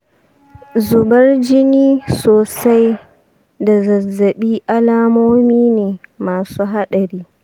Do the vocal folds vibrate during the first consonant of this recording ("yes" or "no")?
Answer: yes